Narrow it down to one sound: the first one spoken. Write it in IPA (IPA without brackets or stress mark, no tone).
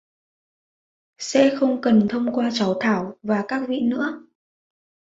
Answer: s